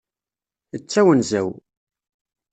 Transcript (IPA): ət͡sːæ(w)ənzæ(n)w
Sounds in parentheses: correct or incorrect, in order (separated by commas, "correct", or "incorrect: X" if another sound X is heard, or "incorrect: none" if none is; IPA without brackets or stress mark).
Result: correct, incorrect: none